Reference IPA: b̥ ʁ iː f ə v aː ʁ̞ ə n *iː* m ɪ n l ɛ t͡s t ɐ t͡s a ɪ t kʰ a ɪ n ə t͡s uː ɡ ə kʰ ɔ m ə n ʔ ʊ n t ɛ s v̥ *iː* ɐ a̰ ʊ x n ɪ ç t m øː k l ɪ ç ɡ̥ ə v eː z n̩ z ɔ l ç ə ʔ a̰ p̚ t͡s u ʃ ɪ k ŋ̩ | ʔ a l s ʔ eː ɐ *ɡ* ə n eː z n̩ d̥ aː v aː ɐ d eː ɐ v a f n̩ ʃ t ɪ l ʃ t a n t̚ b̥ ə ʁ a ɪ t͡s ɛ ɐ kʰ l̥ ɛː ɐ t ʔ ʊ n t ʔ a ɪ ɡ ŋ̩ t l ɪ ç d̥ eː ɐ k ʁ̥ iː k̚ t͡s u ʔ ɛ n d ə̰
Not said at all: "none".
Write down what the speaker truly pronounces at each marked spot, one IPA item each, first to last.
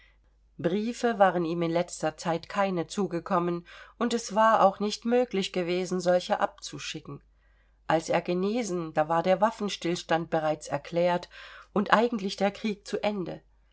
iː, aː, ɡ

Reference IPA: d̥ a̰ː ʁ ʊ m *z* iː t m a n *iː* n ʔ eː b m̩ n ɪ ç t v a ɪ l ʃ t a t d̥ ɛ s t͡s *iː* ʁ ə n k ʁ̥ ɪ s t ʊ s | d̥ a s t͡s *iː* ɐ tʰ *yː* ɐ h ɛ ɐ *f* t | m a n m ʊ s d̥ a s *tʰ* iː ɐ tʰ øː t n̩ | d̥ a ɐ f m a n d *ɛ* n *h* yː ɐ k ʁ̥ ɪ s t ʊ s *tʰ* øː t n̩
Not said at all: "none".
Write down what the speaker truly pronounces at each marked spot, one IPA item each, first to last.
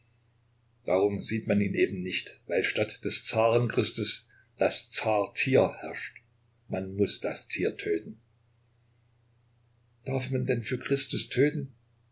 z, iː, aː, aː, iː, ʃ, tʰ, ɛ, f, tʰ

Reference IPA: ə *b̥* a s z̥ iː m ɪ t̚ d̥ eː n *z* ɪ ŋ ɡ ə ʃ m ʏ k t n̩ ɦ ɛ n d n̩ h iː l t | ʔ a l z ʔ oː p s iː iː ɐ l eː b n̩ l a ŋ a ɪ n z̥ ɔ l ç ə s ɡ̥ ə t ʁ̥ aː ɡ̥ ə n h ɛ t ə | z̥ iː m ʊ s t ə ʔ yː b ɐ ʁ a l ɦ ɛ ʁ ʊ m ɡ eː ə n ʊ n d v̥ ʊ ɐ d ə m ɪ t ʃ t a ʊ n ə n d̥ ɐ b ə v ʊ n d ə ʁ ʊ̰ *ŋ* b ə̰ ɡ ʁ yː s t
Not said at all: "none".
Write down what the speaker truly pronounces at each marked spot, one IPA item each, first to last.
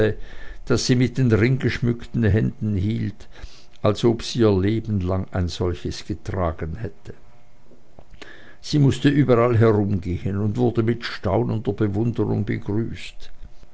d̥, ʁ, ŋ

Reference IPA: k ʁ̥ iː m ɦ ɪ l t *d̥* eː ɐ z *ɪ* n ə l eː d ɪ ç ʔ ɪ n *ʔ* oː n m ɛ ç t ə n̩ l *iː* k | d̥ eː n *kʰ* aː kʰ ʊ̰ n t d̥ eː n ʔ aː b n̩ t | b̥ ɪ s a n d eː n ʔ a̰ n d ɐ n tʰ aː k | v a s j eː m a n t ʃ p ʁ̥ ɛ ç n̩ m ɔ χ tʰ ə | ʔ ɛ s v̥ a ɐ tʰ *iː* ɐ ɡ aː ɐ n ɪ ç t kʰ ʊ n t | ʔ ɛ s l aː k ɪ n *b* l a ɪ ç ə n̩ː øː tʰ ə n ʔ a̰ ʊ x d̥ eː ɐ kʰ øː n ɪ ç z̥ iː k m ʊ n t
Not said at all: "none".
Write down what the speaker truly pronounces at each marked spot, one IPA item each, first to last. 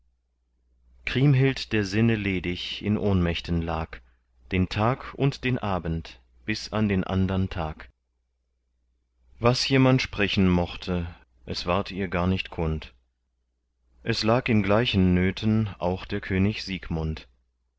d̥, ɪ, ʔ, aː, tʰ, iː, ɡ

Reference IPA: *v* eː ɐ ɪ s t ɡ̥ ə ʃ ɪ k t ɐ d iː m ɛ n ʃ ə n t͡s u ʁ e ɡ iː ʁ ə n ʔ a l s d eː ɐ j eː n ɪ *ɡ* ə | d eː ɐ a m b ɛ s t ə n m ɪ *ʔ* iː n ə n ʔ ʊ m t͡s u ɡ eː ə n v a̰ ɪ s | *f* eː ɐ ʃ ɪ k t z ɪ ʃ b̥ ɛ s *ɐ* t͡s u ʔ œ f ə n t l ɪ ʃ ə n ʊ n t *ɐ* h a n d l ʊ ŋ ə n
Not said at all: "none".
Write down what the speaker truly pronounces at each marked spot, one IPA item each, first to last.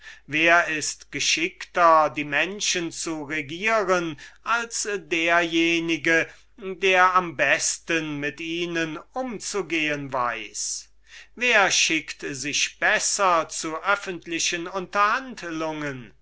v, ɡ, t, v, ɐ, ɐ

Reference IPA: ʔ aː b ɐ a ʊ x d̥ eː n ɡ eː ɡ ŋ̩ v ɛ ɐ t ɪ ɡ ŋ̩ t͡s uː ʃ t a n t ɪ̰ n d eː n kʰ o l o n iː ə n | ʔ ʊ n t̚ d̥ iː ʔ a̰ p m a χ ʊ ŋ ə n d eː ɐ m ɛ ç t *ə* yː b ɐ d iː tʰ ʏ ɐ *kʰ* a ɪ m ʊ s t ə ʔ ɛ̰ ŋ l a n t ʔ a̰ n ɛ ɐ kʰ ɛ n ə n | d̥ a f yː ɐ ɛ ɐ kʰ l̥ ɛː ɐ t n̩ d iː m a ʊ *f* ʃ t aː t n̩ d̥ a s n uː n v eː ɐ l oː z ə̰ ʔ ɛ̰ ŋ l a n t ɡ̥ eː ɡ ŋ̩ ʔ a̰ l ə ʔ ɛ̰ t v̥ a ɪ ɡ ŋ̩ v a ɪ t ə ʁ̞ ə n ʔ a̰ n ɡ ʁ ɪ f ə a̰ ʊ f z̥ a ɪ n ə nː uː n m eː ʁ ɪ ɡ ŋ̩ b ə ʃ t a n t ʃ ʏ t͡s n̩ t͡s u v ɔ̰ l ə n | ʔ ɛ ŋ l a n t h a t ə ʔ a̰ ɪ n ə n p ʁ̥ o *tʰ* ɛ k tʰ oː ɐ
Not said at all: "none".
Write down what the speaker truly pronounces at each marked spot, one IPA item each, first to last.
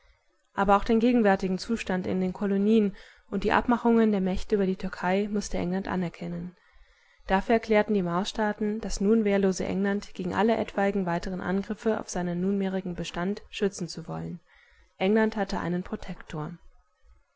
ə, kʰ, s, tʰ

